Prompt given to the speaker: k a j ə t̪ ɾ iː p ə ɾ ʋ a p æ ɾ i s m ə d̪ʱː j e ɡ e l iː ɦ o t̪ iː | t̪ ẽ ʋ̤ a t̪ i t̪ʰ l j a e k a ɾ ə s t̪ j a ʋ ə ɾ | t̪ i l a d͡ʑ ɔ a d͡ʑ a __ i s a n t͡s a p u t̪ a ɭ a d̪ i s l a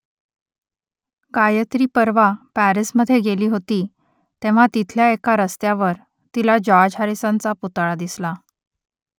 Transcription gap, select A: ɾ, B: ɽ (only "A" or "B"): A